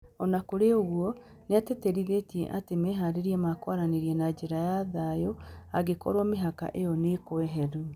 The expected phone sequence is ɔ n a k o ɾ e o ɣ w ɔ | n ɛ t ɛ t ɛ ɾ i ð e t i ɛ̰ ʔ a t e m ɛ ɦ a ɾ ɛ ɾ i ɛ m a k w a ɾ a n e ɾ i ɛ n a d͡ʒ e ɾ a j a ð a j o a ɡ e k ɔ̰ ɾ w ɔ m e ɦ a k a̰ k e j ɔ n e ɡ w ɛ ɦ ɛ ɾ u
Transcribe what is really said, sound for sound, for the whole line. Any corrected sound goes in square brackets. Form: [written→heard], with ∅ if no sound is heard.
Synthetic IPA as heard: ɔ n a k o ɾ e o ɣ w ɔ | n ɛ t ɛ t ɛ ɾ i ð e t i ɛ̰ ʔ a t e m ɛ ɦ a ɾ [ɛ→e] ɾ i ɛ m a k w a ɾ a n e ɾ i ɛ n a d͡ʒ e ɾ a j a ð a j o a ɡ e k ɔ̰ ɾ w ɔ m e ɦ a k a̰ [k→ʔ] e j ɔ n e [ɡ→k] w ɛ ɦ ɛ ɾ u